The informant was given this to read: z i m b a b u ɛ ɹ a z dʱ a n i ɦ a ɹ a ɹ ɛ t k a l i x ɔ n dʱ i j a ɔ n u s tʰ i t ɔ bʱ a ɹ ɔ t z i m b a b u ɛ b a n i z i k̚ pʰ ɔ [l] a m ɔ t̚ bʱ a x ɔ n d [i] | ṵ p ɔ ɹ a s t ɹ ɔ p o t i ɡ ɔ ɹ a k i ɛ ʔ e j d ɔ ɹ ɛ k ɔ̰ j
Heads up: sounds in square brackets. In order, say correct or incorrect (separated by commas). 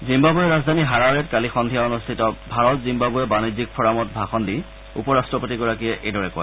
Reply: incorrect, correct